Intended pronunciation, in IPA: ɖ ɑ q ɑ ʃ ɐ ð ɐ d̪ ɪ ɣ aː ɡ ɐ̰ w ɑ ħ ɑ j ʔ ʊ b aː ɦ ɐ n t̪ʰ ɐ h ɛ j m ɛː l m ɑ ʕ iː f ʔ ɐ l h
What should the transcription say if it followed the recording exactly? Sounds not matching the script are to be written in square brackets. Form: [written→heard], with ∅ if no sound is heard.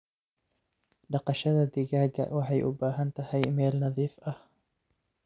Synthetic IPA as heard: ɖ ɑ q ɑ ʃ ɐ ð ɐ d̪ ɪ ɣ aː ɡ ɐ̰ w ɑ ħ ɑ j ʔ ʊ b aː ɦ ɐ n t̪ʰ ɐ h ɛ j m ɛː l [m→n] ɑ [ʕ→ð] iː f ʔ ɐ [l→∅] h